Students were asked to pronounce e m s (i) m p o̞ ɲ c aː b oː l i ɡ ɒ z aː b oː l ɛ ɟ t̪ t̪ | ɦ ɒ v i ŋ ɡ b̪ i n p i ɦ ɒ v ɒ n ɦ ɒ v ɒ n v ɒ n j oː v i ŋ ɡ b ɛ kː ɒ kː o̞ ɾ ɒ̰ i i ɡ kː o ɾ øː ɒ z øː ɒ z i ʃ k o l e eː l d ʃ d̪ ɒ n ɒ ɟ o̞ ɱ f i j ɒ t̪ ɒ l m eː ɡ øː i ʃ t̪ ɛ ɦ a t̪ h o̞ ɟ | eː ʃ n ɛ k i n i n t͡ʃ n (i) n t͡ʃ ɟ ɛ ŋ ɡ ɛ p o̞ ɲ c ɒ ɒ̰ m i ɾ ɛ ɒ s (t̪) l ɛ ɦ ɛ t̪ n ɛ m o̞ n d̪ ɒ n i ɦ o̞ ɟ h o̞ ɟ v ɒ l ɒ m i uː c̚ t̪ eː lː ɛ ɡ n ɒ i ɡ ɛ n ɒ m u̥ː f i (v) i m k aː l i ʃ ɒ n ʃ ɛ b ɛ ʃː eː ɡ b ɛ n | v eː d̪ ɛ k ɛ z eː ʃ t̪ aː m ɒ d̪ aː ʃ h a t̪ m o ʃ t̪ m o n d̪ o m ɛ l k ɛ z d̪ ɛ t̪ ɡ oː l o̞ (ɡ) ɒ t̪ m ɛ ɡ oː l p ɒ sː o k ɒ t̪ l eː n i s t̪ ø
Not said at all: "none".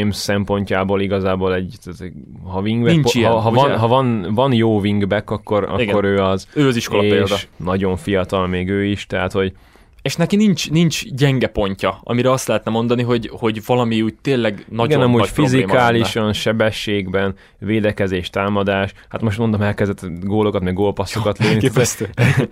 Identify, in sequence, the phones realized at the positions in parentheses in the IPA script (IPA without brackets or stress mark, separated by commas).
ɛ, i, t̪, z, k